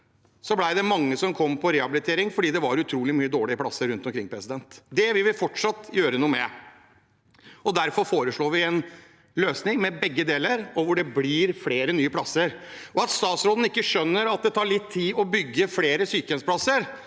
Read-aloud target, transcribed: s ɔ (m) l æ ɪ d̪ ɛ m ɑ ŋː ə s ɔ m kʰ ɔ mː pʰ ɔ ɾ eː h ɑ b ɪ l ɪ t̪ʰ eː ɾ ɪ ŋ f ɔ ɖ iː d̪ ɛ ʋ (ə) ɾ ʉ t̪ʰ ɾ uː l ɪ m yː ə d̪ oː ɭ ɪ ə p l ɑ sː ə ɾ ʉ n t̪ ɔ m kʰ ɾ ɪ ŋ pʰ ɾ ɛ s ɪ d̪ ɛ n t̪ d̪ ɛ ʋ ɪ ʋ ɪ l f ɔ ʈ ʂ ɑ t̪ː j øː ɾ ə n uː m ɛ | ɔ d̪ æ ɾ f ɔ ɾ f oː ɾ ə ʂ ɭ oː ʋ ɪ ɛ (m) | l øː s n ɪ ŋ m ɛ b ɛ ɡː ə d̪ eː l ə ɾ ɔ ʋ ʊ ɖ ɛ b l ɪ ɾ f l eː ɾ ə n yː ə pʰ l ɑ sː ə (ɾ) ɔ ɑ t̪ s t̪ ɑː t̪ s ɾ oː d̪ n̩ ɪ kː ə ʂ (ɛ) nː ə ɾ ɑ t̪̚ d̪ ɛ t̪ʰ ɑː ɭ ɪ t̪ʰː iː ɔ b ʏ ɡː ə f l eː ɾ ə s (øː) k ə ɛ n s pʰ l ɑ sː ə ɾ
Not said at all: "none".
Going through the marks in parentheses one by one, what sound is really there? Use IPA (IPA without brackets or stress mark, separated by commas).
b, ɑ, n, ɾ, œ, yː